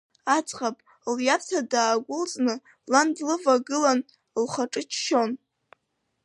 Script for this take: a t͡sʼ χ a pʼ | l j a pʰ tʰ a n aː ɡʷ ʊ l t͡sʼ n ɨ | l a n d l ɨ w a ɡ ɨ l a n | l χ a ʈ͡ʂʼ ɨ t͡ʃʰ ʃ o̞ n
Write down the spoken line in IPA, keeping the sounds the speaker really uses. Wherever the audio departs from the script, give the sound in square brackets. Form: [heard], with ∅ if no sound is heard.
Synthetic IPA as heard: a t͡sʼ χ a pʼ | l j a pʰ tʰ a [d] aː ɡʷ ʊ l t͡sʼ n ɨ | l a n d l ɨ [v] a ɡ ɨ l a n | l χ a ʈ͡ʂʼ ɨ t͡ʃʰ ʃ o̞ n